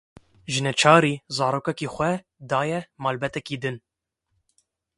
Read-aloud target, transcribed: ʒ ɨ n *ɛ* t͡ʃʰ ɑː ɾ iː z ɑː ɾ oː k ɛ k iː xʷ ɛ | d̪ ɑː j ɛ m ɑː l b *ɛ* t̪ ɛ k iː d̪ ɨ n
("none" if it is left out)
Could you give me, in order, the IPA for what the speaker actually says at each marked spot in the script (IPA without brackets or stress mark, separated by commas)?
ɛ, ɛ